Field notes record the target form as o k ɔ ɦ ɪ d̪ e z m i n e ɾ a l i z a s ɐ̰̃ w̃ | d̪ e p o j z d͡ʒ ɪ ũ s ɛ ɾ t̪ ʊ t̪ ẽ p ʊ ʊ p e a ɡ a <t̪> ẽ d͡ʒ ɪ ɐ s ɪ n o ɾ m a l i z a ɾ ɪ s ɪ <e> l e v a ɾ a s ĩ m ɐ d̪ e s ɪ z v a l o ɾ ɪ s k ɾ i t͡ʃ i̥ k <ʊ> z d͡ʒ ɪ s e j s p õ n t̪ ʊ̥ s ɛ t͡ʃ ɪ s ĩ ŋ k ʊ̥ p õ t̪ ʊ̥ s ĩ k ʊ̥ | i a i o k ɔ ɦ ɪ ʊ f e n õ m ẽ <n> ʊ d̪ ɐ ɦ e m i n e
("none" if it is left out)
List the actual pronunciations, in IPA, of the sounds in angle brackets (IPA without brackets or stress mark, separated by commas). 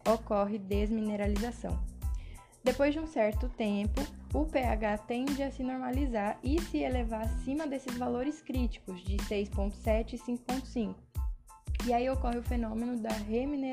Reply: t̪, e, ʊ, n